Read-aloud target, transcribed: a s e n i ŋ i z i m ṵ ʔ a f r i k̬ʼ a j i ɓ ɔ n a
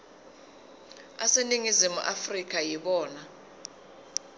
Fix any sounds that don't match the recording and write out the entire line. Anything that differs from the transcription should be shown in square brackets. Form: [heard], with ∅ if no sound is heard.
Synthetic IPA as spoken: a s e n i ŋ i z i m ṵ ʔ a f r i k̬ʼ a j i ɓ [ɔː] n a